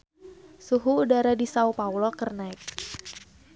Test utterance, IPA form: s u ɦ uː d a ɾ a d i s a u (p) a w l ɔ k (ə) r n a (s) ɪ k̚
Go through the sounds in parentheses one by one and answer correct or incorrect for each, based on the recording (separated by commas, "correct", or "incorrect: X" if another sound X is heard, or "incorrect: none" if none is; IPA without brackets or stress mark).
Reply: correct, correct, incorrect: none